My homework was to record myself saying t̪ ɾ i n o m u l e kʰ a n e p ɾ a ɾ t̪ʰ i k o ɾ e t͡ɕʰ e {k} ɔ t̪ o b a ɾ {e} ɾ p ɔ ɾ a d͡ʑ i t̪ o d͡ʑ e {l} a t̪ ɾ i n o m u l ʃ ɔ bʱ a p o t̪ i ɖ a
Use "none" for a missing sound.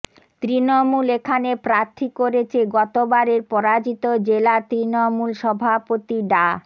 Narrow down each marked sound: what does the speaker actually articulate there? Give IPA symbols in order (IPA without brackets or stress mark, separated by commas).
ɡ, e, l